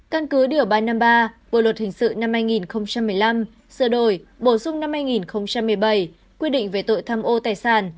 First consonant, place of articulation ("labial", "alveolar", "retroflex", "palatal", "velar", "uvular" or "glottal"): velar